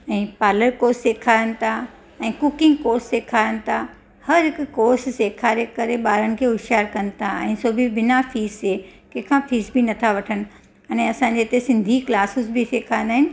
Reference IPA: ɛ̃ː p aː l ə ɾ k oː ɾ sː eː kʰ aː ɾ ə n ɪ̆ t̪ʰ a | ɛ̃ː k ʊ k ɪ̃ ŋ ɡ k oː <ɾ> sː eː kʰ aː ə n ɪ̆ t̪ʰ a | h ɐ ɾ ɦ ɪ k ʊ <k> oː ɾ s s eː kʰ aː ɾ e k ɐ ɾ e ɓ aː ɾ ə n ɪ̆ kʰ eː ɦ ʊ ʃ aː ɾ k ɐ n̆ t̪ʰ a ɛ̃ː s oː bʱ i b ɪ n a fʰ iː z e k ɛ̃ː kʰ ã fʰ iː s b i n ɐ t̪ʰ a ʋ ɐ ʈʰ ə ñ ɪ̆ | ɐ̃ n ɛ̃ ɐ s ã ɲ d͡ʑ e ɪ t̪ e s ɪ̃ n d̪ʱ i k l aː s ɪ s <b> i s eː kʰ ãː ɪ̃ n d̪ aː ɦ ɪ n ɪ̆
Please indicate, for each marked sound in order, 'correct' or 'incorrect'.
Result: correct, correct, correct

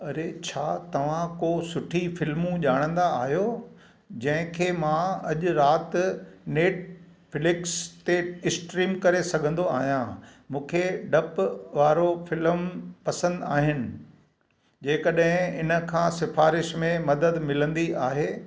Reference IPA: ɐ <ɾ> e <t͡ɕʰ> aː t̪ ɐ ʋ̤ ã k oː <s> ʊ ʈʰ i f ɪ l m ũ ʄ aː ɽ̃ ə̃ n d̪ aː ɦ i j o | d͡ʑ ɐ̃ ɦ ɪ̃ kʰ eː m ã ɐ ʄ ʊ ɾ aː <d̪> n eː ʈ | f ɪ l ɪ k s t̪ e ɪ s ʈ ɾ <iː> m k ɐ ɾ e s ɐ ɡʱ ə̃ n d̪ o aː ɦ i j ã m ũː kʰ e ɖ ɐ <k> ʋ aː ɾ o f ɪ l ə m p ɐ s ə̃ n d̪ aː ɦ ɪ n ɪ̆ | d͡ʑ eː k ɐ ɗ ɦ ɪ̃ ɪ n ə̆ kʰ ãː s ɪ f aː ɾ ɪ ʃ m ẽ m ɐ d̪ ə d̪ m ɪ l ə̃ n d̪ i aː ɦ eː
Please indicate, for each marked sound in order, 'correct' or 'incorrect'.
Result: correct, correct, correct, incorrect, correct, incorrect

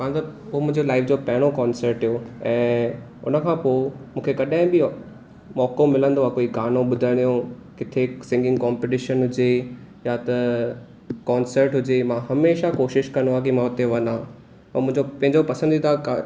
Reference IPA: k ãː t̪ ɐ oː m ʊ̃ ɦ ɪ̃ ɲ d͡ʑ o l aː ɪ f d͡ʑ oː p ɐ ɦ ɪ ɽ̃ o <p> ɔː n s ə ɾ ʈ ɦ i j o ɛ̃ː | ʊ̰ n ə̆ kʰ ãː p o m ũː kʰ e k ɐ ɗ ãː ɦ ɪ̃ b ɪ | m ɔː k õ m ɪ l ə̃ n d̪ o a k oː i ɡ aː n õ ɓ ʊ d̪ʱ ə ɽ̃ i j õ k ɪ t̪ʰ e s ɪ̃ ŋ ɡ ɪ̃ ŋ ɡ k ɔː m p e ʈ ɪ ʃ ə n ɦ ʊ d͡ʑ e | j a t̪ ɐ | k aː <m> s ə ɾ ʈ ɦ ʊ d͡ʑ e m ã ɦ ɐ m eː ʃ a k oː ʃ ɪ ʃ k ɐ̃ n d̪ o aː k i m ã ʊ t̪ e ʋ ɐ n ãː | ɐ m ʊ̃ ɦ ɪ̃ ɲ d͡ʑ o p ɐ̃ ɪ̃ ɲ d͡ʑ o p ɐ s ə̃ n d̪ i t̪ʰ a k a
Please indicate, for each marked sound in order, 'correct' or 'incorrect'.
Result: incorrect, incorrect

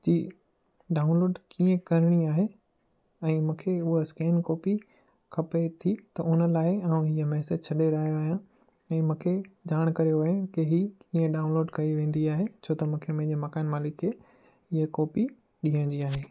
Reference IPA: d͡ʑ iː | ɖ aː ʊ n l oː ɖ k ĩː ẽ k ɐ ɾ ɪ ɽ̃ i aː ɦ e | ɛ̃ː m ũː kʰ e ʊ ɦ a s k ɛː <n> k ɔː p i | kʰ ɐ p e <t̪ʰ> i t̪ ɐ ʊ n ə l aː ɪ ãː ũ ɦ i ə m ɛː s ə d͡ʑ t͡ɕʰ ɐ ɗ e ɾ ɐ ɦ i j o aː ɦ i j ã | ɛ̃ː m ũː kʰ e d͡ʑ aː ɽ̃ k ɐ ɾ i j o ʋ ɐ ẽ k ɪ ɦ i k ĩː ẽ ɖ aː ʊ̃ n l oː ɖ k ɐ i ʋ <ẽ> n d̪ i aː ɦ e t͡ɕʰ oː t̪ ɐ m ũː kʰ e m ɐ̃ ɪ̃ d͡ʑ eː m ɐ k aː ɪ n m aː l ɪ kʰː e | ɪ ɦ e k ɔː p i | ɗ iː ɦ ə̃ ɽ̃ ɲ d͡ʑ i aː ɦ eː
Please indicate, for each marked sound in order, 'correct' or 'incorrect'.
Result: correct, correct, incorrect

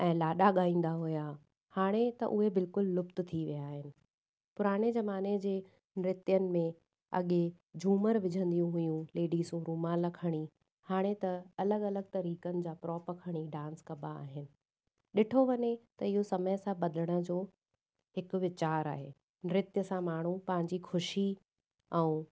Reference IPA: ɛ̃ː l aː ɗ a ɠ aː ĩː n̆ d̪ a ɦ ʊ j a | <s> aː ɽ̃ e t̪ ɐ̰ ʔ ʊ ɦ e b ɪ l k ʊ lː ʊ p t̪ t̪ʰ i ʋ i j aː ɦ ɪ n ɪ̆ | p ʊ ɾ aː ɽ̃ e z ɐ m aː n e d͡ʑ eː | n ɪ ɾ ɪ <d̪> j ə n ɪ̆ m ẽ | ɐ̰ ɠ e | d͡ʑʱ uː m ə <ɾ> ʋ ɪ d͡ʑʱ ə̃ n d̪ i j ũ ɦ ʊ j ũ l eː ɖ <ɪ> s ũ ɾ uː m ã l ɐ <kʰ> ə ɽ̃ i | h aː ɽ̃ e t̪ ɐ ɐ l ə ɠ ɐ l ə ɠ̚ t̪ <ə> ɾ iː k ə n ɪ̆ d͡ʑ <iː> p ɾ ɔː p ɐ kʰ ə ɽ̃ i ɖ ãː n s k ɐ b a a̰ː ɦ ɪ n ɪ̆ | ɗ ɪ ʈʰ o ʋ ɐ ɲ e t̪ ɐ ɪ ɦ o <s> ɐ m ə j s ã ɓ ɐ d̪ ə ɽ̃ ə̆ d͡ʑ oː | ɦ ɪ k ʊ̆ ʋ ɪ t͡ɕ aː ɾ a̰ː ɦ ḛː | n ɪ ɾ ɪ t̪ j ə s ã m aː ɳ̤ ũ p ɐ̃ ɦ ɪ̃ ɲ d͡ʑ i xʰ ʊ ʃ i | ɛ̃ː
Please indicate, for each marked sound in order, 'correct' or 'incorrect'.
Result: incorrect, incorrect, correct, incorrect, correct, incorrect, incorrect, correct

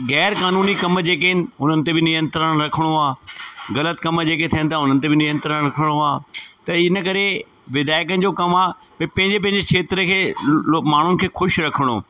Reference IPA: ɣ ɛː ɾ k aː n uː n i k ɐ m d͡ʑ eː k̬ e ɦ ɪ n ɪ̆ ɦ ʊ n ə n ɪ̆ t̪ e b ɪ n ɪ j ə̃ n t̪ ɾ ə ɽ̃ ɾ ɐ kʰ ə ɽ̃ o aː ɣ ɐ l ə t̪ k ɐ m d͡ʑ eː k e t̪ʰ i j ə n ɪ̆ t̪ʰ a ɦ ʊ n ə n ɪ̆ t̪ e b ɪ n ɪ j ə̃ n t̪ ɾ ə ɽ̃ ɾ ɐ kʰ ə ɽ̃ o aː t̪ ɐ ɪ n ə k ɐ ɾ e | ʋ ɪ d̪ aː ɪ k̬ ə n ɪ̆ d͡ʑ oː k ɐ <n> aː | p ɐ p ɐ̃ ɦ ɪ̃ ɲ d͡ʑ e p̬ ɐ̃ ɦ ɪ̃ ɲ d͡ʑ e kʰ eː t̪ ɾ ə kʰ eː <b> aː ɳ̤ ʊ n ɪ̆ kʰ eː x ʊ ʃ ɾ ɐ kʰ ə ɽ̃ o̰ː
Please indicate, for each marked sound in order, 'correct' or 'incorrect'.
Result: incorrect, incorrect

